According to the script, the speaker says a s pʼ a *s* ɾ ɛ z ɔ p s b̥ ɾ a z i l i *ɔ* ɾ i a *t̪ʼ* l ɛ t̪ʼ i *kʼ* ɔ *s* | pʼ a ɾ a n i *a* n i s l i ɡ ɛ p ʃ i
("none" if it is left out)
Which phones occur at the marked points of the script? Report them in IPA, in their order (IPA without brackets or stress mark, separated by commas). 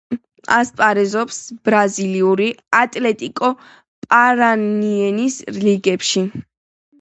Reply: none, u, t̪ʼ, kʼ, none, ɛ